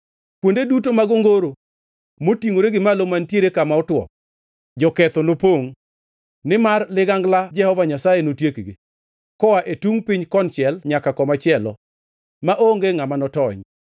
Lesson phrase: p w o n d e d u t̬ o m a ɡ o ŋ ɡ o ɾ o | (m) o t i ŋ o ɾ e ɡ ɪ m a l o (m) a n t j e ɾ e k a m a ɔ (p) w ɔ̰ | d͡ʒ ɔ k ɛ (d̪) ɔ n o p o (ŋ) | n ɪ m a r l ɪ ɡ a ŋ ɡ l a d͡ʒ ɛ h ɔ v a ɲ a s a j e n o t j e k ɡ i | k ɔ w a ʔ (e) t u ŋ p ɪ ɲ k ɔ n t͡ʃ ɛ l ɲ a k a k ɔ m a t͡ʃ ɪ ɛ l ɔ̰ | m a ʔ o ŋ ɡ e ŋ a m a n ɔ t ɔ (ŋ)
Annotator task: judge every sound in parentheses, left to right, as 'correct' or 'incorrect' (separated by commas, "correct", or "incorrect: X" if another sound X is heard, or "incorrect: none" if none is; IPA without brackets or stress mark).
correct, correct, incorrect: t, incorrect: t̪, correct, correct, incorrect: ɲ